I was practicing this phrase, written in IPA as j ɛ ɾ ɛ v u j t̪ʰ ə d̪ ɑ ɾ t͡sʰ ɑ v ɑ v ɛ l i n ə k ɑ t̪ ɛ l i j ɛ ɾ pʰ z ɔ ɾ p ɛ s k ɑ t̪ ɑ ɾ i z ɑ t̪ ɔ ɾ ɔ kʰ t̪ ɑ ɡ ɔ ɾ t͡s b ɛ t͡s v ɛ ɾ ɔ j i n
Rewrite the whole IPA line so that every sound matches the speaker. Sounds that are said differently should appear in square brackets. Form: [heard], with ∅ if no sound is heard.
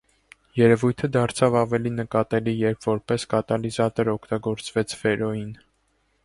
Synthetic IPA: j ɛ ɾ ɛ v u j t̪ʰ ə d̪ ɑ ɾ t͡sʰ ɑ v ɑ v ɛ l i n ə k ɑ t̪ ɛ l i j ɛ ɾ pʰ [v] ɔ ɾ p ɛ s k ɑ t̪ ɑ [l] i z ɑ t̪ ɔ ɾ ɔ kʰ t̪ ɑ ɡ ɔ ɾ t͡s [v] ɛ [t͡sʰ] v ɛ ɾ ɔ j i n